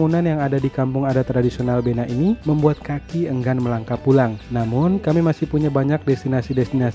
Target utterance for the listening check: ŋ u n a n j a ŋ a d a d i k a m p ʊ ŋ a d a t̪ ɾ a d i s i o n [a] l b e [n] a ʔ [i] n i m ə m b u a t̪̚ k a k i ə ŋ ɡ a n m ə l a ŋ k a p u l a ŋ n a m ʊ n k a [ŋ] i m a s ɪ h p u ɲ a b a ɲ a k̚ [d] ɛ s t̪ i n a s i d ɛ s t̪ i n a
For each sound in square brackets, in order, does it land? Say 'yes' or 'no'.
yes, yes, yes, no, yes

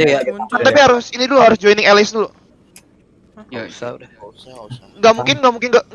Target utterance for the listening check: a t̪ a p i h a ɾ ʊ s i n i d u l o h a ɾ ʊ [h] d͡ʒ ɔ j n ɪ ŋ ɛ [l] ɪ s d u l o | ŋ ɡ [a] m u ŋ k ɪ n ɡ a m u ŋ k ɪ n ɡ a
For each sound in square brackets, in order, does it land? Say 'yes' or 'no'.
no, yes, yes

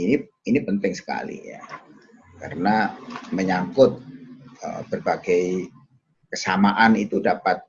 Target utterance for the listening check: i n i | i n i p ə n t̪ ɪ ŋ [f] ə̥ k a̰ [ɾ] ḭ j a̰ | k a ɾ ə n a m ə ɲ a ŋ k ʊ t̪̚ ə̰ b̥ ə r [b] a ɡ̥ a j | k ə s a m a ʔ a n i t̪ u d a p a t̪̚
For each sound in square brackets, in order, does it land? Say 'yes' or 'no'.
no, no, yes

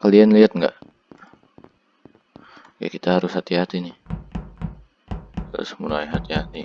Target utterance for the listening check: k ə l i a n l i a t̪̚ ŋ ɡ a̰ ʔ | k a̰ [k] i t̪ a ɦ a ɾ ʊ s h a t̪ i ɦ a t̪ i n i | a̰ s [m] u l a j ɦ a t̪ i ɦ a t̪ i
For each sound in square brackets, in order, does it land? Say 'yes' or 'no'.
yes, yes

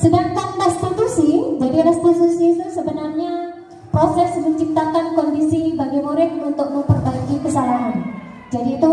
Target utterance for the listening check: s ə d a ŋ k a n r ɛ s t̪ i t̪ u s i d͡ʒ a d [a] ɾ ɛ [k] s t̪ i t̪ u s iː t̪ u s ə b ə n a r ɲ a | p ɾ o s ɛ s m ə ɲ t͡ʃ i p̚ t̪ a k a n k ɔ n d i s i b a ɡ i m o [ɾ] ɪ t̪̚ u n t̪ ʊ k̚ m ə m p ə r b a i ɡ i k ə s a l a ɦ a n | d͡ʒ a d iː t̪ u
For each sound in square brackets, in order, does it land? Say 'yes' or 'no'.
no, no, yes

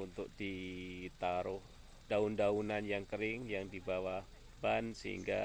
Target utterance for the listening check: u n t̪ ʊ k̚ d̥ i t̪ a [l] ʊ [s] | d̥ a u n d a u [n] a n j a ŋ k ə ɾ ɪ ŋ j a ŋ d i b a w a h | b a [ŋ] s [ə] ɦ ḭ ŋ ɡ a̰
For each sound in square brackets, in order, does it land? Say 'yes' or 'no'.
no, no, yes, no, yes

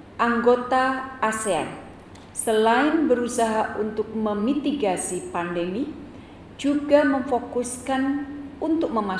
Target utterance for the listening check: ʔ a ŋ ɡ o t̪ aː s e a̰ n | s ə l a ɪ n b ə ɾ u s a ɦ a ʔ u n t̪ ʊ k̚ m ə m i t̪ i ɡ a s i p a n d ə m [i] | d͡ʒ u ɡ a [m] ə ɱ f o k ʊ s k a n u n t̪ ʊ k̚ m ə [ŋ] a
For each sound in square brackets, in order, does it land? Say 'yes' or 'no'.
yes, yes, no

